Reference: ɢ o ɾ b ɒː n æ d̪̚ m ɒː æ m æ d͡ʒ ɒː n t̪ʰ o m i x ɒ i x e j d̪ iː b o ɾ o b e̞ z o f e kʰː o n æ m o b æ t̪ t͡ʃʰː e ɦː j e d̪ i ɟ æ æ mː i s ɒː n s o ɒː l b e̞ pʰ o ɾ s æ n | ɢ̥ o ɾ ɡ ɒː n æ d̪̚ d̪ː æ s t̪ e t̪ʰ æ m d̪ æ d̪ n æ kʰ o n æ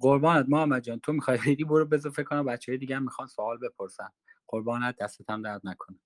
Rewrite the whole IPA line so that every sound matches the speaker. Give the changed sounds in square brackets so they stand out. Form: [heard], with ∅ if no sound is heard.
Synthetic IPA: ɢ o ɾ b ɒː n æ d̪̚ m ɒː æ m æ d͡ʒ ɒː n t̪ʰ o m i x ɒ [j] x e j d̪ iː b o ɾ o b e̞ z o f e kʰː o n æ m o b æ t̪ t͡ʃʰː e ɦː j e d̪ i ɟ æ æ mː i [x] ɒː n s o ɒː l b e̞ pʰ o ɾ s æ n | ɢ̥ o ɾ [b] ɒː n æ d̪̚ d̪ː æ s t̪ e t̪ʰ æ m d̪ æ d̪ n æ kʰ o n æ